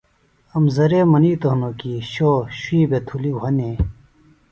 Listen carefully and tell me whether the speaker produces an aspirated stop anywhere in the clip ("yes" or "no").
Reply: yes